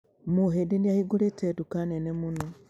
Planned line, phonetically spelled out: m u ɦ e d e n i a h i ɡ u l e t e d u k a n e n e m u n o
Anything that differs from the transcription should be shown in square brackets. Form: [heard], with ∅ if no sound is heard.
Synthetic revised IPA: m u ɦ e d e n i a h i ɡ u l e t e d u k a n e n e m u n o